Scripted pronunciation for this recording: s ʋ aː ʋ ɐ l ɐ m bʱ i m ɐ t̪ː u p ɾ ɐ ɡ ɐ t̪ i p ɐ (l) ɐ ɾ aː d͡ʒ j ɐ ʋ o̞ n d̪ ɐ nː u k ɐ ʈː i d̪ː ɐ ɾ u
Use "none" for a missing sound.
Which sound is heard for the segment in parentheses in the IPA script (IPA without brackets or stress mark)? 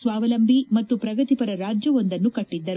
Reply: ɾ